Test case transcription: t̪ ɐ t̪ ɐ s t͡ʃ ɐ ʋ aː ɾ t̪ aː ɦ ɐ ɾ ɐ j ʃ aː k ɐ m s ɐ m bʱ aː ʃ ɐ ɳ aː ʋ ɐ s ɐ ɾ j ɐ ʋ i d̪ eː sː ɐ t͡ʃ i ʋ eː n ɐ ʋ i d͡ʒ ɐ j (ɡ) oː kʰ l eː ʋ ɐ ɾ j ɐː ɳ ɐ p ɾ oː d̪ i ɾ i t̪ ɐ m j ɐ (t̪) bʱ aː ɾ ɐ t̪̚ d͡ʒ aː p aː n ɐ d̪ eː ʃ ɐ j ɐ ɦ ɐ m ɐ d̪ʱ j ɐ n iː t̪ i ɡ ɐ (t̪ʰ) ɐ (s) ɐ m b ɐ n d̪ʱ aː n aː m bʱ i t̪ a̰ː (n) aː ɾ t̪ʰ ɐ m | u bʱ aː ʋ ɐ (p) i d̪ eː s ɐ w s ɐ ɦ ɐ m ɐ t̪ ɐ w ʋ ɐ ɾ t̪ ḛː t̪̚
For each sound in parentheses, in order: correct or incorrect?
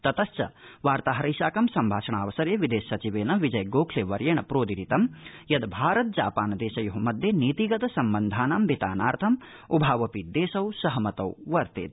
correct, incorrect: d̪, incorrect: t̪, correct, correct, correct

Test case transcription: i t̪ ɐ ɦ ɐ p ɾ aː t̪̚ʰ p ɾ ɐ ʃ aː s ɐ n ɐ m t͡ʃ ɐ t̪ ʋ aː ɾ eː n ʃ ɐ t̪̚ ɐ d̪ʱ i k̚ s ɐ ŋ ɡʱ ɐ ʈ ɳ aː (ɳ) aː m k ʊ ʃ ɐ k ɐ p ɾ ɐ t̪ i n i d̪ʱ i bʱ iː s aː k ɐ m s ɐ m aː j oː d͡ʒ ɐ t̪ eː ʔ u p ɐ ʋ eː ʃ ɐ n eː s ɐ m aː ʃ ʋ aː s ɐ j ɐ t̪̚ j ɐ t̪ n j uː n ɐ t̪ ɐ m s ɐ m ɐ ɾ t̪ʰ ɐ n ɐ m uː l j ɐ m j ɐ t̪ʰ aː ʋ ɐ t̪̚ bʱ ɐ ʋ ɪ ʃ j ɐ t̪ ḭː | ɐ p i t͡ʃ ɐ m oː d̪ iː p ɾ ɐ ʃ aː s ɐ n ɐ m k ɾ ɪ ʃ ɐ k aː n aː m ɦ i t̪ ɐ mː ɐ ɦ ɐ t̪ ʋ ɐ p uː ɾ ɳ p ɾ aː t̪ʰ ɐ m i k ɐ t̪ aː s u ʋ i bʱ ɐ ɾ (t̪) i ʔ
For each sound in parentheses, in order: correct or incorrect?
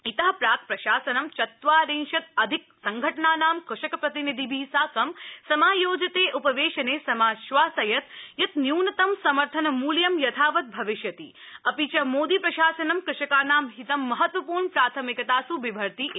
incorrect: n, correct

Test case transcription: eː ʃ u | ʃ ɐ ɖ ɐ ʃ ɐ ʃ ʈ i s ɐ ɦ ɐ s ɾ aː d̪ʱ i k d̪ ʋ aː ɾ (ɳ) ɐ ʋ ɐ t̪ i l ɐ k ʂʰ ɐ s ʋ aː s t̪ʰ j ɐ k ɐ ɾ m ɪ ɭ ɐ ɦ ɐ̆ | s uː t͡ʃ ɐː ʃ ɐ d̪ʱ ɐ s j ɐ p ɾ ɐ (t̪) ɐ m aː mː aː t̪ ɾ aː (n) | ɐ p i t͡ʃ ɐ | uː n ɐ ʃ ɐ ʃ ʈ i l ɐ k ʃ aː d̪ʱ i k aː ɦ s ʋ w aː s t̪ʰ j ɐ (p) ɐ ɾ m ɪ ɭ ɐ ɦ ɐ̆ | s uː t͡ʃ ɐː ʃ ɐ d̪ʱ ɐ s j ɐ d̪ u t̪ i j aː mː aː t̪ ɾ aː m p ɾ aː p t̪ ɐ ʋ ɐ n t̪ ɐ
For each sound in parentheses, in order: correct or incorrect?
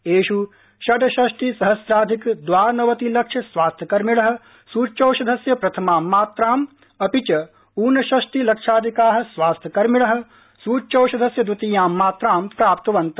incorrect: n, incorrect: t̪ʰ, incorrect: m, incorrect: k

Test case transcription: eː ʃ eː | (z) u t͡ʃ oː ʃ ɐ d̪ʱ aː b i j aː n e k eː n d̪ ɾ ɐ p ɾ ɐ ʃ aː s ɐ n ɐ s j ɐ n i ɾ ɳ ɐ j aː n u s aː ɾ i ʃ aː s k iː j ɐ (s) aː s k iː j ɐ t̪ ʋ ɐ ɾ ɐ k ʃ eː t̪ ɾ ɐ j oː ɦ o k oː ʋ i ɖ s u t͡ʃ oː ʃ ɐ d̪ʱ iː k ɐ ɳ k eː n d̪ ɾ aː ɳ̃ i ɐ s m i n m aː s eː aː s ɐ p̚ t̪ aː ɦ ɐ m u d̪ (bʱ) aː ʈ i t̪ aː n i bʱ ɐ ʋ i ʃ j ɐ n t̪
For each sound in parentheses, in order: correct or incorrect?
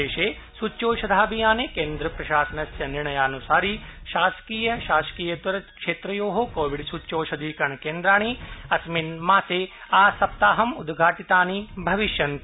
incorrect: s, incorrect: ʃ, incorrect: ɡʱ

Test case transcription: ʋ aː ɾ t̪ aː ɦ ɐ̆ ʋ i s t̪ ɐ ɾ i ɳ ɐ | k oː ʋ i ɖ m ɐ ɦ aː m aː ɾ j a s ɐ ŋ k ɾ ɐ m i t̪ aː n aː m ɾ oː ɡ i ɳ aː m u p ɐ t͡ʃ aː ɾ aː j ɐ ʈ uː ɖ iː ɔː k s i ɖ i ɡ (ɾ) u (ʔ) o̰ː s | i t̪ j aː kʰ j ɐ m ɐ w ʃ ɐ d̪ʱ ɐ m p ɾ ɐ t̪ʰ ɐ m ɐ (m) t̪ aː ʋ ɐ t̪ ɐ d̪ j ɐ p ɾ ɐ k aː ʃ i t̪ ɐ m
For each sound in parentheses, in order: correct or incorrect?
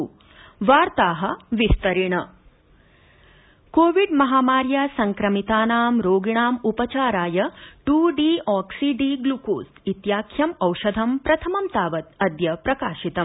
incorrect: l, incorrect: k, correct

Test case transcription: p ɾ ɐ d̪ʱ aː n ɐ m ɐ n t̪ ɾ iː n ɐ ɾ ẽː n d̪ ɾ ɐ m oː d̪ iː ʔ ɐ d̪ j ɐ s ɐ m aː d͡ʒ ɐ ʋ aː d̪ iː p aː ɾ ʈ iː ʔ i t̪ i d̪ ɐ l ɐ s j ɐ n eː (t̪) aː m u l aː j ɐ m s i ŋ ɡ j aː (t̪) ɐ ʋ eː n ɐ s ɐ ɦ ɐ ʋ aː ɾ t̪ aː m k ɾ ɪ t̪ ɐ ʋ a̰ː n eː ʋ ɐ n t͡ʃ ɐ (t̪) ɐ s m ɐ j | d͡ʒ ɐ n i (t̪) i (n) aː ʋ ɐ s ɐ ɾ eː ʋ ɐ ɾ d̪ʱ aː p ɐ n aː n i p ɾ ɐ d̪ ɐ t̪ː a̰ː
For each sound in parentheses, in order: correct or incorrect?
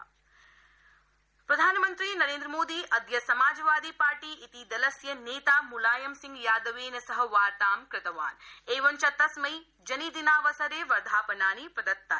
correct, incorrect: d̪, correct, incorrect: d̪, correct

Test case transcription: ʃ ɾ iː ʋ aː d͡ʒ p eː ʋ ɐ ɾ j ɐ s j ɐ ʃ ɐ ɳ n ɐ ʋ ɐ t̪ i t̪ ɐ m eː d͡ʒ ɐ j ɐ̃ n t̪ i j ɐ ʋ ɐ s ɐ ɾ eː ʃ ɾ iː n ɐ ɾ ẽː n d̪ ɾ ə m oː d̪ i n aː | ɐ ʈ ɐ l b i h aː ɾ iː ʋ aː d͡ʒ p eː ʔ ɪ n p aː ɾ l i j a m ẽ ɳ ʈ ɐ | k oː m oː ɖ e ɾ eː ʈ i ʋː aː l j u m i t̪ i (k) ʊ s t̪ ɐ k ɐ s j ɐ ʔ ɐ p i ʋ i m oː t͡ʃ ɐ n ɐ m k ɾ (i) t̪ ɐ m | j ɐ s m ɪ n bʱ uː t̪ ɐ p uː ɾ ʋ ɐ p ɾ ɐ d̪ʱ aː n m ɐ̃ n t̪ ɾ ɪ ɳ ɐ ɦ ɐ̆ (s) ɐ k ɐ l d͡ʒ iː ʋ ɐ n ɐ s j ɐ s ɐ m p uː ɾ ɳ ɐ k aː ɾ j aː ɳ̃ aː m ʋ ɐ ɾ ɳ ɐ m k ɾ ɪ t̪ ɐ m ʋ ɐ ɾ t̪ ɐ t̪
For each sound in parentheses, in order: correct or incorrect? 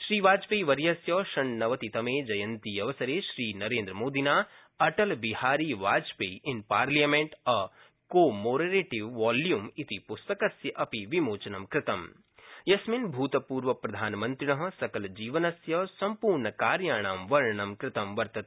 incorrect: p, incorrect: ɪ, correct

